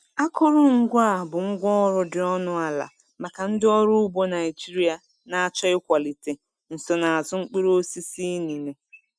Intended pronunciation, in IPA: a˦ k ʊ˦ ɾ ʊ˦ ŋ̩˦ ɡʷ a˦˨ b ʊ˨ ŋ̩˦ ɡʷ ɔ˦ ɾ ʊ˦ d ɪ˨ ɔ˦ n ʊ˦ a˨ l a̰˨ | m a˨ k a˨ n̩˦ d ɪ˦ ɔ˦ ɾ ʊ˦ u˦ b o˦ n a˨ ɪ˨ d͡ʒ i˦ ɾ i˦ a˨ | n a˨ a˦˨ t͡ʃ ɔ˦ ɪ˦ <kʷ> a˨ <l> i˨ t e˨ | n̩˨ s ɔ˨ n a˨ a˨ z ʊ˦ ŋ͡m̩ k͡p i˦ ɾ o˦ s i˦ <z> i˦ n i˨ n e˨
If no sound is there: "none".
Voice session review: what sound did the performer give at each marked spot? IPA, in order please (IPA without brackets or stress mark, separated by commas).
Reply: kʷ, l, s